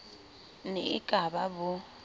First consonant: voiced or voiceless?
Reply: voiced